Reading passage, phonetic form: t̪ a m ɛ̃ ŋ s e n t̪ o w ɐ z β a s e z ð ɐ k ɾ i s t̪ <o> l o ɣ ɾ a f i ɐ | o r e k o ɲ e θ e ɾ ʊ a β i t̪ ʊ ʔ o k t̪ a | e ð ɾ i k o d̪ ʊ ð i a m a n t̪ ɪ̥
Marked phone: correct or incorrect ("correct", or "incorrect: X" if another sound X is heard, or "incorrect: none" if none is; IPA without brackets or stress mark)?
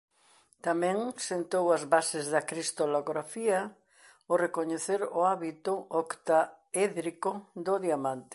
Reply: correct